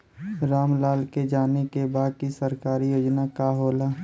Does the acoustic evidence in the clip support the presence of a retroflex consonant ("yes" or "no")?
no